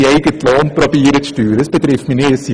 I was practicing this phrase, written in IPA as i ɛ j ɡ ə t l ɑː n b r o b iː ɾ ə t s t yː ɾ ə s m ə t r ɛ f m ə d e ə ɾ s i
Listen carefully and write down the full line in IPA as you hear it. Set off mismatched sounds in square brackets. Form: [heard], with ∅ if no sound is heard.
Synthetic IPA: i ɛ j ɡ ə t l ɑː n [p] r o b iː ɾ ə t s t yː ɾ ə s [b] ə t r ɛ f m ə [n] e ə [∅] s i